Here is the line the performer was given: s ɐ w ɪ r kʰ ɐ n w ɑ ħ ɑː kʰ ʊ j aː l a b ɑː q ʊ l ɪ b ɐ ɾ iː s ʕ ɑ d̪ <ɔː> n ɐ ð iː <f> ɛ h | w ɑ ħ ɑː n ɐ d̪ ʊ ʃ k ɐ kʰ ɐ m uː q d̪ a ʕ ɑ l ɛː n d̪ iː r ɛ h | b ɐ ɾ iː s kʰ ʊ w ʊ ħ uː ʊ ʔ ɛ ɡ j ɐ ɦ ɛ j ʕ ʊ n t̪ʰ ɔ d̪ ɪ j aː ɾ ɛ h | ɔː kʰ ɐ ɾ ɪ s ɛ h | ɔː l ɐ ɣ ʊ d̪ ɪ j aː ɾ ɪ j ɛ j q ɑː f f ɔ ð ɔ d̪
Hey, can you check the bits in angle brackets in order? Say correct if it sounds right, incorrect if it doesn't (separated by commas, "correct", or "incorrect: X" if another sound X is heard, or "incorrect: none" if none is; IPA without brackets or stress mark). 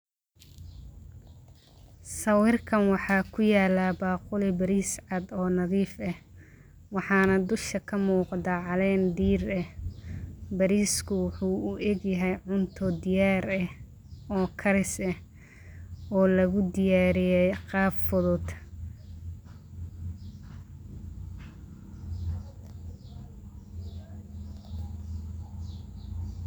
correct, correct